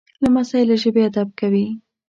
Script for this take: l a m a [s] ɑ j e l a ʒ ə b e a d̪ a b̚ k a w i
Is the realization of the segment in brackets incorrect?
no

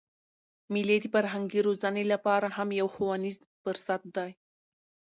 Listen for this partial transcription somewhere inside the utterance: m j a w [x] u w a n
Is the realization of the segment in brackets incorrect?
no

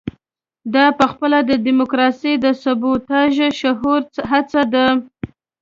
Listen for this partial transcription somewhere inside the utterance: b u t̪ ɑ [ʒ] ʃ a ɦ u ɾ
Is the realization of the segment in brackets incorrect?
no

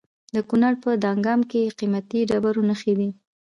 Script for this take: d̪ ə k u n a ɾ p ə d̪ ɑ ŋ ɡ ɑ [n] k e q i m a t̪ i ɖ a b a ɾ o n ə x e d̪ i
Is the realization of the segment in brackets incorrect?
yes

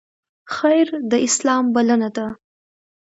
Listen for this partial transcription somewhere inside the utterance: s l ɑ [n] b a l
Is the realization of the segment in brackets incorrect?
yes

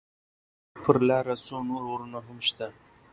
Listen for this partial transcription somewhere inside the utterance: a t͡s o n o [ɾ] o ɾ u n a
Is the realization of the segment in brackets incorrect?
no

